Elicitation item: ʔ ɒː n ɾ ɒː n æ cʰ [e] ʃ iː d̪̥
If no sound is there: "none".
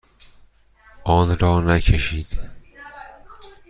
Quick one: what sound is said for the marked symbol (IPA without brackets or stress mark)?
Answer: e